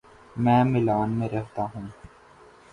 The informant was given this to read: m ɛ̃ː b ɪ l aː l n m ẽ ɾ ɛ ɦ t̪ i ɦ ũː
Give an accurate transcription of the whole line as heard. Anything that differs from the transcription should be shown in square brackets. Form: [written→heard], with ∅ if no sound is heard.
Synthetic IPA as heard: m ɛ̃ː [b→m] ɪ l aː [l→∅] n m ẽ ɾ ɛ ɦ t̪ [i→a] ɦ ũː

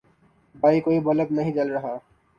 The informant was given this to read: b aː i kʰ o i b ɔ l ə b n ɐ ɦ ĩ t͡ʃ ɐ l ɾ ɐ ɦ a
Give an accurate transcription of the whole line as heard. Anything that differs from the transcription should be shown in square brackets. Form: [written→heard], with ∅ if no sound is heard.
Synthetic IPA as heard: b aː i [kʰ→k] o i b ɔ l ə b n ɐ ɦ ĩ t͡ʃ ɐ l ɾ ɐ ɦ a

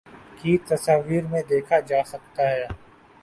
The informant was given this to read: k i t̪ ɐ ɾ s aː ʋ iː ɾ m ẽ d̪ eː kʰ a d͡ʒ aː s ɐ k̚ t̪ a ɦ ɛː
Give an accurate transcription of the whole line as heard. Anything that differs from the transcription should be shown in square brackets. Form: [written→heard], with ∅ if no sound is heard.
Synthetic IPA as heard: k i t̪ ɐ [ɾ→∅] s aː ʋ iː ɾ m ẽ d̪ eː kʰ a d͡ʒ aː s ɐ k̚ t̪ a ɦ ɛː

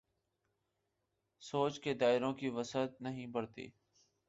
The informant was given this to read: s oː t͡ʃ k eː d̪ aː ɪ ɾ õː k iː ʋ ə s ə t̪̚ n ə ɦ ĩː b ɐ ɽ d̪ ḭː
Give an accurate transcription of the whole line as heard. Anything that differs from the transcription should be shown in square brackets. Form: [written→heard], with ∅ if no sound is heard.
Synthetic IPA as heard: s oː t͡ʃ k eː d̪ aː ɪ ɾ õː k iː ʋ ə s ə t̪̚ n ə ɦ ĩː b [ɐ→ə] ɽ [d̪→t̪] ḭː

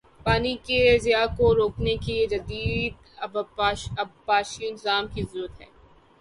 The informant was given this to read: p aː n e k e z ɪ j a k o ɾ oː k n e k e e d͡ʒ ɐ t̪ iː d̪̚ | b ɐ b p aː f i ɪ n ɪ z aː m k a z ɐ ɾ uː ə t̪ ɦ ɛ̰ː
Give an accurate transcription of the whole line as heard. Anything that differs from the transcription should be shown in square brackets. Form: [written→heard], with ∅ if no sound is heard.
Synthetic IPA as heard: p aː n [e→i] k e z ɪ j a k o ɾ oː k n e k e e d͡ʒ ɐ [t̪→d̪] iː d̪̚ | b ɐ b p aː [f→ʃ] i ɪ n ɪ z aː m k [a→i] z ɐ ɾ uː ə t̪ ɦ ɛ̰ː

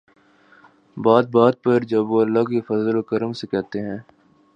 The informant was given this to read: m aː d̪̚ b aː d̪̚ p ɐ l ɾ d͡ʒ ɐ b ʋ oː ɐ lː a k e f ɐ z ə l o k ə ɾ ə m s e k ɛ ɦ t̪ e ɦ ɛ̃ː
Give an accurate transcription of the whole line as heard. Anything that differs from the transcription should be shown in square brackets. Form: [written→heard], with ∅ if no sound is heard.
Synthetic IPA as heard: [m→b] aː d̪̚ b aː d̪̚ p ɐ [l→∅] ɾ d͡ʒ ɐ b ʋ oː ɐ lː a k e f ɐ z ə l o k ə ɾ ə m s e k ɛ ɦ t̪ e ɦ ɛ̃ː

